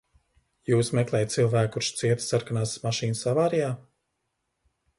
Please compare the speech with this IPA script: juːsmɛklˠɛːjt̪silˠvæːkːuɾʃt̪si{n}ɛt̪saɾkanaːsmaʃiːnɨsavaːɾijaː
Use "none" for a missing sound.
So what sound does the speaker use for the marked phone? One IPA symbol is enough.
none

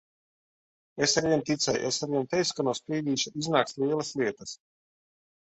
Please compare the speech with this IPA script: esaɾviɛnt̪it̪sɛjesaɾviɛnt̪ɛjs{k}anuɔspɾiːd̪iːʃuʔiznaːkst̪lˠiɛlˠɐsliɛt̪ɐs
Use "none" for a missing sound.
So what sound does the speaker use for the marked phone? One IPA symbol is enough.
k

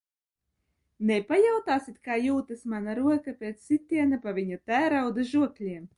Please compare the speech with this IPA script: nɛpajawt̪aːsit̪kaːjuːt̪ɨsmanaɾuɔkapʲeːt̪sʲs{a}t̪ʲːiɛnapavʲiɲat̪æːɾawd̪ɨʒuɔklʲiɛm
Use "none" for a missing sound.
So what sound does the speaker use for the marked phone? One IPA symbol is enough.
i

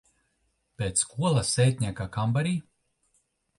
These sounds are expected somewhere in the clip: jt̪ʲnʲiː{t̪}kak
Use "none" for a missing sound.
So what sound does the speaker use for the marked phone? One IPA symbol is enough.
none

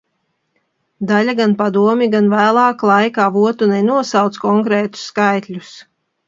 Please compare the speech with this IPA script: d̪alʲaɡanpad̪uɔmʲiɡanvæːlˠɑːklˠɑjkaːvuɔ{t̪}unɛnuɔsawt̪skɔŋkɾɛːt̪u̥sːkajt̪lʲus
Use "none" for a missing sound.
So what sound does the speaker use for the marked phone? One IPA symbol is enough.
t̪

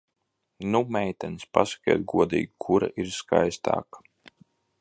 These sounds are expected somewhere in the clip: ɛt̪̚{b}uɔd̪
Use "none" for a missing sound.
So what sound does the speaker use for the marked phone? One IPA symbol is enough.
ɡ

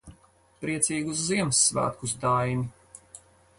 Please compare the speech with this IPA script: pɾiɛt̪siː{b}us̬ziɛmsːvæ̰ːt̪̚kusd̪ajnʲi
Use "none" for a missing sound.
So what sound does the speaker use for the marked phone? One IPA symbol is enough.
ɡ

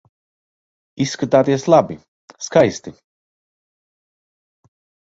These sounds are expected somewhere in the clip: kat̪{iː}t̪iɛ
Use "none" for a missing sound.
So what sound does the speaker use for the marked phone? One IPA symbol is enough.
aː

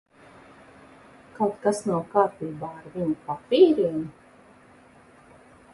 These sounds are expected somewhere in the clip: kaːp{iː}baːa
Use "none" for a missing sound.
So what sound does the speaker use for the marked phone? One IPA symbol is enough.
iː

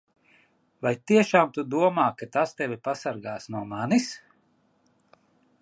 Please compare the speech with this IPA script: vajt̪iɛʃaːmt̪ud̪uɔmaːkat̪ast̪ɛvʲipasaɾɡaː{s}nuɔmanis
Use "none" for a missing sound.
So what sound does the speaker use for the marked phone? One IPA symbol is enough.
s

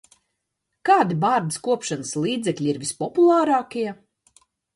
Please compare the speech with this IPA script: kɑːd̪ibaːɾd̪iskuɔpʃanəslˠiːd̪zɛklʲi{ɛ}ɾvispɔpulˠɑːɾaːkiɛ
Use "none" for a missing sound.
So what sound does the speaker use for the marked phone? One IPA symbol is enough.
i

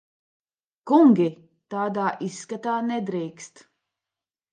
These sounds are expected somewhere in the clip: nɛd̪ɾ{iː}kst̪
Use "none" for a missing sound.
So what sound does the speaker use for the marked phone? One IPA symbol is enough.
iː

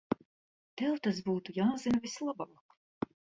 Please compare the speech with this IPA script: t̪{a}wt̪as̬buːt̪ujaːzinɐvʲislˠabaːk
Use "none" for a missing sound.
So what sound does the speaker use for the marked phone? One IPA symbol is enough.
ɛ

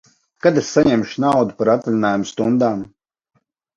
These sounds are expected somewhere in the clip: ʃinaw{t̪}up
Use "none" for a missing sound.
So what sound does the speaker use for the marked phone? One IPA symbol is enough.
d̪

